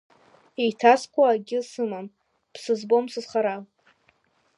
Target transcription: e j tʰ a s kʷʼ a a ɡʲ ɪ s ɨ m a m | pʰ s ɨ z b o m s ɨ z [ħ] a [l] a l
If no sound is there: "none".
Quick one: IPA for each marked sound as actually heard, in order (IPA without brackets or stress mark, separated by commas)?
χ, ɾ